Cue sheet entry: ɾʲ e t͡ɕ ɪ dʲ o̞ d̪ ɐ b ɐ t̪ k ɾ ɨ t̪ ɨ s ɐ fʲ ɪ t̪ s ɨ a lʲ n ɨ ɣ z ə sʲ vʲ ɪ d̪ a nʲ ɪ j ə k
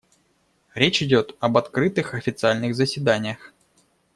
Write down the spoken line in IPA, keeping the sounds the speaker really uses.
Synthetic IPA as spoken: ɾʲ e t͡ɕ ɪ dʲ o̞ t̪ ɐ b ɐ t̪ k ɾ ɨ t̪ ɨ x ɐ fʲ ɪ t̪ s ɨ a lʲ n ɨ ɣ z ə sʲ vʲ ɪ d̪ a nʲ ɪ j ə x